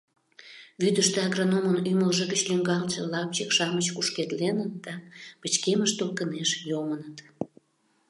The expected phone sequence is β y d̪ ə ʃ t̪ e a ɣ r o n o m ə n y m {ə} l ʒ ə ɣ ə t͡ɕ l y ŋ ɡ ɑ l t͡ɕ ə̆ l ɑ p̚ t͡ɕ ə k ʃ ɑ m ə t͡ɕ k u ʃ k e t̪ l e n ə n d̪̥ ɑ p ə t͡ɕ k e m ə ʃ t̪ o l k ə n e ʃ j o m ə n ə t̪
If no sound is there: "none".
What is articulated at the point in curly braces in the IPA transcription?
ə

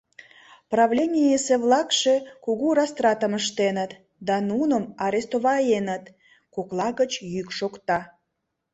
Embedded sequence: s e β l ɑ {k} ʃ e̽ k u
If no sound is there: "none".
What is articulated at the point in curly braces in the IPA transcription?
k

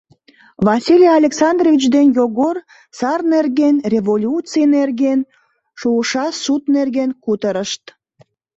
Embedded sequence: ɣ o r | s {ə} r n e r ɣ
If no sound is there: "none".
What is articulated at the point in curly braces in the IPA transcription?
ɑ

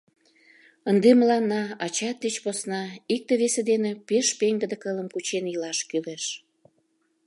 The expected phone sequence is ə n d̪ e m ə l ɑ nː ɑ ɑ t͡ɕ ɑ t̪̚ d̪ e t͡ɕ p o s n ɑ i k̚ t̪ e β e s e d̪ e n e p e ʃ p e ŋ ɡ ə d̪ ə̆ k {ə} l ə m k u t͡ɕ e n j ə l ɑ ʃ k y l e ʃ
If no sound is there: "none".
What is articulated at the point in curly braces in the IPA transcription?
ə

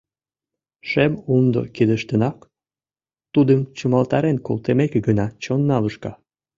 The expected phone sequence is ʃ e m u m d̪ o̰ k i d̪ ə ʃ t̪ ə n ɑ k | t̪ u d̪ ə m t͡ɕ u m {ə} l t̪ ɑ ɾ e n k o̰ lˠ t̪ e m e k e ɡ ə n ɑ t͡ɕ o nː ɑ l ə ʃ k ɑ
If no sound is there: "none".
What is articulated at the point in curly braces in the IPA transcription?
ɑ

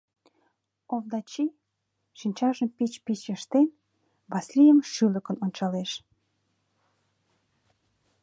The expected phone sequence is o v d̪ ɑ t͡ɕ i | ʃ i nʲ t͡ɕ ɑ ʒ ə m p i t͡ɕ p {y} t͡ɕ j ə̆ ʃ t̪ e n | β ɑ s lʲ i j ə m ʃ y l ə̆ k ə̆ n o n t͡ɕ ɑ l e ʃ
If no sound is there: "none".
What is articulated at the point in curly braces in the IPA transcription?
i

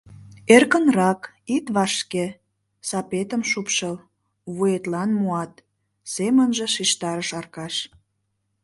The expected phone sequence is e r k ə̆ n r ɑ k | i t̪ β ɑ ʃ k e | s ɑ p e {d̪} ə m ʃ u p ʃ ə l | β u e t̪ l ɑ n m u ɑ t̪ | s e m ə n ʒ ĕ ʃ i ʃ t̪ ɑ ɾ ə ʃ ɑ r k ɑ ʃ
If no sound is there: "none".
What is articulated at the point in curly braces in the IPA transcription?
t̪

